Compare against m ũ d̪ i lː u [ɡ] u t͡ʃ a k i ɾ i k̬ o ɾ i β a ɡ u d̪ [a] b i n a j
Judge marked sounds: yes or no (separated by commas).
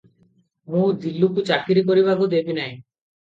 no, no